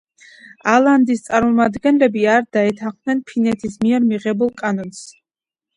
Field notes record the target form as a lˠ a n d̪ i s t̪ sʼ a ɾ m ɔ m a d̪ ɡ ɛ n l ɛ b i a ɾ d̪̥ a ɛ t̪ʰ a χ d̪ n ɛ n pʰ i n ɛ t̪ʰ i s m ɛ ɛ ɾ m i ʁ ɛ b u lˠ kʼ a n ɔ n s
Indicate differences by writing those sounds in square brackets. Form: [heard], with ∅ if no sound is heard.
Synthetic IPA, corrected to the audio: a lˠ a n d̪ i s t̪ sʼ a ɾ m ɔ m a d̪ ɡ ɛ n l ɛ b i a ɾ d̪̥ a ɛ t̪ʰ a χ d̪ n ɛ n pʰ i n ɛ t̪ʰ i s m [i] ɛ ɾ m i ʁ ɛ b u lˠ kʼ a n ɔ n s